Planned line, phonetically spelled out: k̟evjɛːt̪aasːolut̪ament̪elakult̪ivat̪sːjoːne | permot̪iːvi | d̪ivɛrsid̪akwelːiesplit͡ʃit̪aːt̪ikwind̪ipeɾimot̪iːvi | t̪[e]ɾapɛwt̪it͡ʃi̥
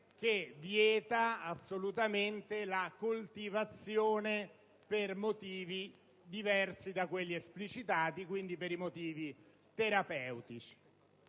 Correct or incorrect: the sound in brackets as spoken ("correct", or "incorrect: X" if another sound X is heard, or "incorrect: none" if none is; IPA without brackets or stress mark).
correct